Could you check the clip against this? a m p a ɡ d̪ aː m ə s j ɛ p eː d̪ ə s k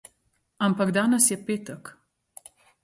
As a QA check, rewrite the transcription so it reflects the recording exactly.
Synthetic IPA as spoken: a m p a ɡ d̪ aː n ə s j ɛ p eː t̪ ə k